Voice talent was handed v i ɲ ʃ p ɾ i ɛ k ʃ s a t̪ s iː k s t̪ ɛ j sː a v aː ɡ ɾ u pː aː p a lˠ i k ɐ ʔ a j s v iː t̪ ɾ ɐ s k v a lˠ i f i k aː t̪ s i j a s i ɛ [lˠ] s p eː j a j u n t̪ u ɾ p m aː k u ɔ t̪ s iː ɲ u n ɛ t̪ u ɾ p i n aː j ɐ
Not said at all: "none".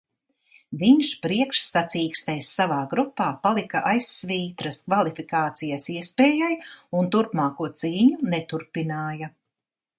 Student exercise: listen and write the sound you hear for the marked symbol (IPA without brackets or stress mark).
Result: none